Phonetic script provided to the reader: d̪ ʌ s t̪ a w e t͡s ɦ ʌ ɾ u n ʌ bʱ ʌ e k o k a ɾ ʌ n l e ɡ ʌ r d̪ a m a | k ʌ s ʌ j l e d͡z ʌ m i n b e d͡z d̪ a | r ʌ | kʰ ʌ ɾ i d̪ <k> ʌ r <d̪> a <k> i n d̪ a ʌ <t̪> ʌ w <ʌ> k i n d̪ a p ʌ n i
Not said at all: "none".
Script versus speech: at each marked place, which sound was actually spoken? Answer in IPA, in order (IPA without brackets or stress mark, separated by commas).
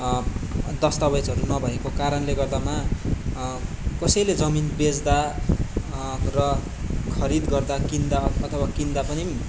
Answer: ɡ, d̪, k, t̪ʰ, a